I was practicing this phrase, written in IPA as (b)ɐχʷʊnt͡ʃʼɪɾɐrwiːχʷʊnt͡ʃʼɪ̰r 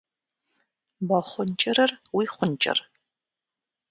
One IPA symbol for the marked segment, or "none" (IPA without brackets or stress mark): b